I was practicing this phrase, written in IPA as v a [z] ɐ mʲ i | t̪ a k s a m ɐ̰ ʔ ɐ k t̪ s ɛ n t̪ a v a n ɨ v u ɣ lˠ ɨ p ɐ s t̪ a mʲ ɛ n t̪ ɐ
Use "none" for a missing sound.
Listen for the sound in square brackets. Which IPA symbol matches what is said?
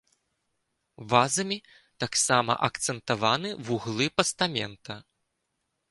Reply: z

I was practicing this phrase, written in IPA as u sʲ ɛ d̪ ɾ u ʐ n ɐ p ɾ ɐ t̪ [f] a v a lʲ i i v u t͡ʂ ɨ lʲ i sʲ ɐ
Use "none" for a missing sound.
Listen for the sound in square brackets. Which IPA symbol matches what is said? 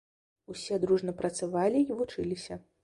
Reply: s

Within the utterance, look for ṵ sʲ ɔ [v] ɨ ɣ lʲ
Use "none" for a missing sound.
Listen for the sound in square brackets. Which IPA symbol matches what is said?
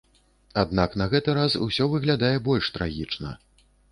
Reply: v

